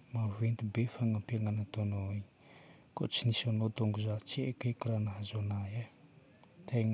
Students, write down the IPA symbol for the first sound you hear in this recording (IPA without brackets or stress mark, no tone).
m